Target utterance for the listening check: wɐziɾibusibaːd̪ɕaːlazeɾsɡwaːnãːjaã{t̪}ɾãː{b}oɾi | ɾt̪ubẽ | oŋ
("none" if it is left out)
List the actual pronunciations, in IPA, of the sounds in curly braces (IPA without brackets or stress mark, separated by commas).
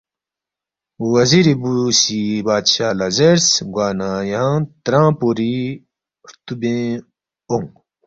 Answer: t̪, p